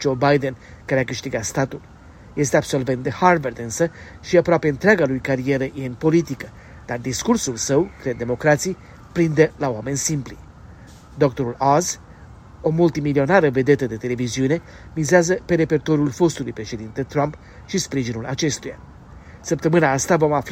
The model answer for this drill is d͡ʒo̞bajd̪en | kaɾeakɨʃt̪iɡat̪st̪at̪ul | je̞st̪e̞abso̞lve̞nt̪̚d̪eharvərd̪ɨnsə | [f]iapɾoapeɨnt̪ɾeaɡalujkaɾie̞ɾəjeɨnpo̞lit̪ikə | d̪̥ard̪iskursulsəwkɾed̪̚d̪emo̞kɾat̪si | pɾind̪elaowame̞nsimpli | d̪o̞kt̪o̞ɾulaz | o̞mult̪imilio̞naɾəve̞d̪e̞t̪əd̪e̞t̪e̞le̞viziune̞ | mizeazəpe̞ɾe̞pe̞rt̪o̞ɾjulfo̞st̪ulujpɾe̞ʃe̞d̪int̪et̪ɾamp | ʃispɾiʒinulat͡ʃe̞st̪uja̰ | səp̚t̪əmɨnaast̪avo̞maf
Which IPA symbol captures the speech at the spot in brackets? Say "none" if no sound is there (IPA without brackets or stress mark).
ʃ